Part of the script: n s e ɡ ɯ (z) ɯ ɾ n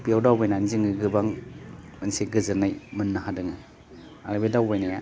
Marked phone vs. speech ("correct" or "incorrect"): correct